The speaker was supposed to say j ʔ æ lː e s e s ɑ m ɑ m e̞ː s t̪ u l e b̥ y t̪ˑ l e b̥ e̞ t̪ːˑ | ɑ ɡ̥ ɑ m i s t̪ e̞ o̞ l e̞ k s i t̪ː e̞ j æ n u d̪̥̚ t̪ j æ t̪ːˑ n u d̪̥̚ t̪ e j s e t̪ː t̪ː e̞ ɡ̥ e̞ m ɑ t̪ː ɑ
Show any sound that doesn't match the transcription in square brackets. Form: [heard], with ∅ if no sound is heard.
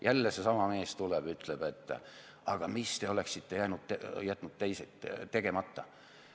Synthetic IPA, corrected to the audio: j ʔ æ lː e s e s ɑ m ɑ m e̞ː s t̪ u l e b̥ y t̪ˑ l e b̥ e̞ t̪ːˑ | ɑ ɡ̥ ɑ m i s t̪ e̞ o̞ l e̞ k s i t̪ː e̞ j æ n u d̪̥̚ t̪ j æ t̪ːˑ n u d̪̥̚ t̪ e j s e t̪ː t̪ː e̞ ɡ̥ e̞ m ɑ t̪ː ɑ